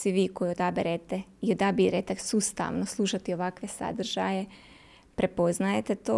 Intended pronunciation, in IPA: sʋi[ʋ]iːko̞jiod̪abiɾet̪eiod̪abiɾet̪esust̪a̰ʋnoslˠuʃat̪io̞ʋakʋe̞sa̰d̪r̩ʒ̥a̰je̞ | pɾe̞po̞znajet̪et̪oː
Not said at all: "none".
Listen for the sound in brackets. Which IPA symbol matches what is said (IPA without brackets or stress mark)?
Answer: ʋ